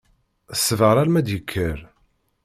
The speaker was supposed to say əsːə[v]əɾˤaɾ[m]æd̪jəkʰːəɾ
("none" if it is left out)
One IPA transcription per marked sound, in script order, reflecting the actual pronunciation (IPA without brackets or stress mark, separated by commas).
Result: v, m